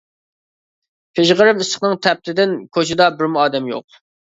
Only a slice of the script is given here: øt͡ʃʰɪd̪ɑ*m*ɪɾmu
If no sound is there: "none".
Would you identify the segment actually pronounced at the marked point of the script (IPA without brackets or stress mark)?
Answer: b